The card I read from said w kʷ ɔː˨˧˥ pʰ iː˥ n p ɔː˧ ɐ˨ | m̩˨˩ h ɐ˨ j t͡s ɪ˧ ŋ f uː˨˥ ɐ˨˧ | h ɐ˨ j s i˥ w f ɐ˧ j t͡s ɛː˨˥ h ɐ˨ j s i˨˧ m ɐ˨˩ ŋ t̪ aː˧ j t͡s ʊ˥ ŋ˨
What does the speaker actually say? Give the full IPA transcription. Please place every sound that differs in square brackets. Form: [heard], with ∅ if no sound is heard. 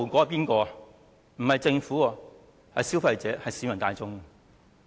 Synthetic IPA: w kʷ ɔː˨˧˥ [p] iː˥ n [k] ɔː˧ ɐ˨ | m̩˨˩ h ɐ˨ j t͡s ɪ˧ ŋ f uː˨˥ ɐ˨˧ | h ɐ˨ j s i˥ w f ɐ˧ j t͡s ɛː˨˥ h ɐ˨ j s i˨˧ m ɐ˨˩ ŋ t̪ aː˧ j t͡s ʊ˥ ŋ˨